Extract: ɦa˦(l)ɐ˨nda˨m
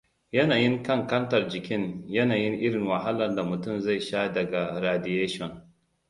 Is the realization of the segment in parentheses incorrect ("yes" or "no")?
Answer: no